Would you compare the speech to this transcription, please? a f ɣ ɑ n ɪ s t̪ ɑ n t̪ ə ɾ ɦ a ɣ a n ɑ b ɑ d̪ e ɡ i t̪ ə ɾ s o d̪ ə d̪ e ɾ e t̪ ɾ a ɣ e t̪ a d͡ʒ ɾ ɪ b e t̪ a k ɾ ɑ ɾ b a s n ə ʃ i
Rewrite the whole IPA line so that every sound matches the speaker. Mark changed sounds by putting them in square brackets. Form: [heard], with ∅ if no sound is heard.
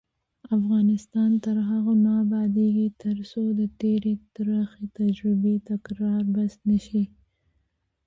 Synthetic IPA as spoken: a f ɣ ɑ n ɪ s t̪ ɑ n t̪ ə ɾ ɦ a ɣ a n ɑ b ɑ d̪ e ɡ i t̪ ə ɾ s o d̪ ə [t̪] e ɾ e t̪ ɾ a [x] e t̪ a d͡ʒ ɾ ɪ b e t̪ a k ɾ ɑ ɾ b a s n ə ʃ i